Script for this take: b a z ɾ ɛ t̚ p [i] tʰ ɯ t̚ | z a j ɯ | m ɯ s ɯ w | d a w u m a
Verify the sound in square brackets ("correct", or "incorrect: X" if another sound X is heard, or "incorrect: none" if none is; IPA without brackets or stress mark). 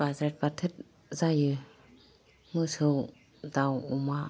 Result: incorrect: a